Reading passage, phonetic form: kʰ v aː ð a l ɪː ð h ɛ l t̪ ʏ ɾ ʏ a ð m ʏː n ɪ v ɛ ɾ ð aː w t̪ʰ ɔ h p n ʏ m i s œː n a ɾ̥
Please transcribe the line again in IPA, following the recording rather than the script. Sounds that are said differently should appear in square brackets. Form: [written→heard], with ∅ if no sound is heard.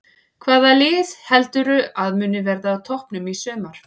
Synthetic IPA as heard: kʰ v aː ð a l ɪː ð h ɛ l t̪ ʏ ɾ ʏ a ð m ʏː n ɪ v ɛ ɾ ð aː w t̪ʰ ɔ h p n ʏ m i s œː [n→m] a ɾ̥